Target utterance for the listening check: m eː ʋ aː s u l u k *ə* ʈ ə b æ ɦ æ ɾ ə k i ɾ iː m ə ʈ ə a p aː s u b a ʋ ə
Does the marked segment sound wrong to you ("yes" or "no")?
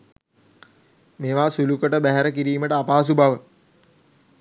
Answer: no